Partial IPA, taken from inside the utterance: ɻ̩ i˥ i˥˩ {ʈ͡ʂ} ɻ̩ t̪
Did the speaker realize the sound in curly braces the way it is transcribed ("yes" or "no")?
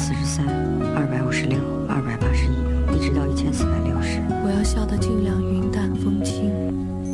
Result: yes